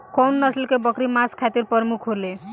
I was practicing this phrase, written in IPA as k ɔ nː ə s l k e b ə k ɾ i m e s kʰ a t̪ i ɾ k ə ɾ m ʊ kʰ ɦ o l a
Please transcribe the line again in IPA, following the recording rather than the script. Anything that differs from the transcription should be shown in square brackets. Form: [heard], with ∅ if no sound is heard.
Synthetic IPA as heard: k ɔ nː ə s l k e b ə k ɾ i m [a] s kʰ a t̪ i ɾ [p] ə ɾ m [u] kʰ ɦ o l [e]